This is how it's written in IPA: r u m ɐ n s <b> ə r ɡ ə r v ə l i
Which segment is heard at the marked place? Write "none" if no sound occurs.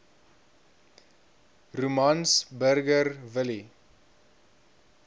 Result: b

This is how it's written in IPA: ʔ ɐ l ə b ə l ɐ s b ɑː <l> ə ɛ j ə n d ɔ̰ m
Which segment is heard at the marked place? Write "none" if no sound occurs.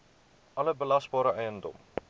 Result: ɾ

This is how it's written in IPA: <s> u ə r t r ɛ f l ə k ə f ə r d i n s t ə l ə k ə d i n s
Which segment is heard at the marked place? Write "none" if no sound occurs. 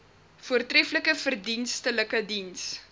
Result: f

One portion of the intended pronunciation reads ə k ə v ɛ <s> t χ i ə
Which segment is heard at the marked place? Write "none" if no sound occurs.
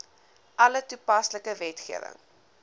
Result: none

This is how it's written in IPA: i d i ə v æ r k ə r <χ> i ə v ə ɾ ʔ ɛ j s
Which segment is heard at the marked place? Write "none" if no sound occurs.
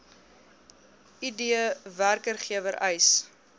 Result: χ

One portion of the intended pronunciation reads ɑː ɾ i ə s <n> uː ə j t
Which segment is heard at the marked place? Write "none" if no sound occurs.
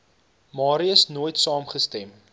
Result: n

